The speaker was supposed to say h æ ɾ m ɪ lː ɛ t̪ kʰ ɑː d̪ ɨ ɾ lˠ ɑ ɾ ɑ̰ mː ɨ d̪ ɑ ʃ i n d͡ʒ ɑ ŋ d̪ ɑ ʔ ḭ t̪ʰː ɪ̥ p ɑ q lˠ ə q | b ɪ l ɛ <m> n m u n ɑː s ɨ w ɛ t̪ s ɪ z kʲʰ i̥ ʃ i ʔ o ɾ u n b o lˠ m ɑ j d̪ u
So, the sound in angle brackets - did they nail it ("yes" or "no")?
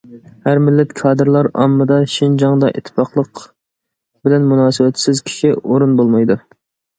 no